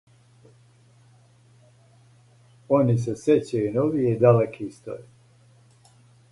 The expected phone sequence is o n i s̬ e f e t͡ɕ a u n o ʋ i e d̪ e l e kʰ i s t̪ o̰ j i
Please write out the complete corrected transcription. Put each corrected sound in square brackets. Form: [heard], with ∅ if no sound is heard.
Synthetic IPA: o n i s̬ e [s] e t͡ɕ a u n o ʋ i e d̪ [a] l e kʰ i s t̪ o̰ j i